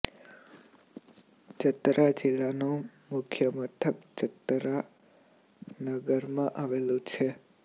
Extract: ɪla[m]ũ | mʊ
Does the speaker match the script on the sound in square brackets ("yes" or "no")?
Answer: no